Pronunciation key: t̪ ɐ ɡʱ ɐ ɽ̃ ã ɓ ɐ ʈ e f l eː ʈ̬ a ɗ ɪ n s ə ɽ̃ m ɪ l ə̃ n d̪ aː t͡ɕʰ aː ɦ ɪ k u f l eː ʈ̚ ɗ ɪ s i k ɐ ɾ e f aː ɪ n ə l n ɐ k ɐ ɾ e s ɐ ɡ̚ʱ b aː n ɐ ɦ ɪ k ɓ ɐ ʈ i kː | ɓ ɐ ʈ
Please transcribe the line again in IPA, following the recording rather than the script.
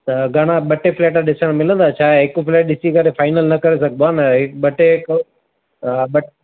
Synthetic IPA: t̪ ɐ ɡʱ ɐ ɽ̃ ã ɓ ɐ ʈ e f l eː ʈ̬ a ɗ ɪ s ə ɽ̃ m ɪ l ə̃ n d̪ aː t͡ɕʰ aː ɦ ɪ k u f l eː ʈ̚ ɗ ɪ s i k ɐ ɾ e f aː ɪ n ə l n ɐ k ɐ ɾ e s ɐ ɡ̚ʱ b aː n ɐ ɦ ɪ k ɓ ɐ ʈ e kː | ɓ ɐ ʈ